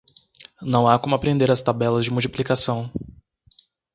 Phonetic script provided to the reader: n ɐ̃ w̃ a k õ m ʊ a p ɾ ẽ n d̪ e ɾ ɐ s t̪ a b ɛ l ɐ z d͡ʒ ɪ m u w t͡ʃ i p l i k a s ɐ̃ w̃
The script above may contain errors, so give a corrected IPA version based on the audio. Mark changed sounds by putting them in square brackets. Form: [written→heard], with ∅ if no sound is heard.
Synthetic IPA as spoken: n ɐ̃ w̃ a k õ m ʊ a p ɾ ẽ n d̪ e ɾ ɐ s t̪ a b ɛ l ɐ z d͡ʒ ɪ m u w t͡ʃ i p l i k a s ɐ̃ w̃